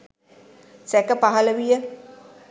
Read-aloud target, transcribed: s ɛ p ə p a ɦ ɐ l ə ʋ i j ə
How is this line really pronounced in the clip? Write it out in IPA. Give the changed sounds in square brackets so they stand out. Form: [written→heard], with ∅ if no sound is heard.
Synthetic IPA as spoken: s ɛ [p→k] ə p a ɦ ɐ l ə ʋ i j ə